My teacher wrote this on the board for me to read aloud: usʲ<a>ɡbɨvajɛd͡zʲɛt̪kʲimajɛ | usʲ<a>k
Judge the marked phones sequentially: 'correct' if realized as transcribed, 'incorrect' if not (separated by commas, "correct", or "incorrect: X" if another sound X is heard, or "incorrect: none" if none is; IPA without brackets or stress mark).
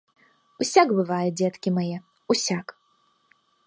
correct, correct